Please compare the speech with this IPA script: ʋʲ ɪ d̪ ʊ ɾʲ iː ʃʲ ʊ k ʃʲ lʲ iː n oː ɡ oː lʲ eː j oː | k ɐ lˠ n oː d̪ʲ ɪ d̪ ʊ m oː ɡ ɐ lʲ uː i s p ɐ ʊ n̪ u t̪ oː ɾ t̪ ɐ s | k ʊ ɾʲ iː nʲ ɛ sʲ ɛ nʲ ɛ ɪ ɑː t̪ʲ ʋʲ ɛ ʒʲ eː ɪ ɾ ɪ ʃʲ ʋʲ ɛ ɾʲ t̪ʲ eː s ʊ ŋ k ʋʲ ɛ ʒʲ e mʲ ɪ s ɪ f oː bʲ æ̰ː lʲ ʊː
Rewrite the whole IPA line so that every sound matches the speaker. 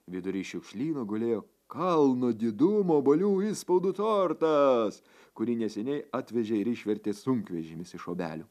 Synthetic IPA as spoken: ʋʲ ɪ d̪ ʊ ɾʲ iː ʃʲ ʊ k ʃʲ lʲ iː n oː ɡ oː lʲ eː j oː | k ɐ lˠ n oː d̪ʲ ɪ d̪ ʊ m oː b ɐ lʲ uː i s p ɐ ʊ d̪ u t̪ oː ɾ t̪ ɐ s | k ʊ ɾʲ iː nʲ ɛ sʲ ɛ nʲ ɛ ɪ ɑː t̪ʲ ʋʲ ɛ ʒʲ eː ɪ ɾ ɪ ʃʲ ʋʲ ɛ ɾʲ t̪ʲ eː s ʊ ŋ k ʋʲ ɛ ʒʲ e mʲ ɪ s ɪ ʃ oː bʲ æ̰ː lʲ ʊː